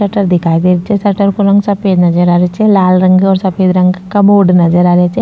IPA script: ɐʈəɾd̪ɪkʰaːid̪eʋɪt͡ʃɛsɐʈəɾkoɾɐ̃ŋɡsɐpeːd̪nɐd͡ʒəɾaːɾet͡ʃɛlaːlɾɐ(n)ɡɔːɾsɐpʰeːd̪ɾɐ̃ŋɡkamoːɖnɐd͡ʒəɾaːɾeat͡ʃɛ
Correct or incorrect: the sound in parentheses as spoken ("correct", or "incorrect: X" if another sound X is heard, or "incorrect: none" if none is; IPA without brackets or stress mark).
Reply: incorrect: ŋ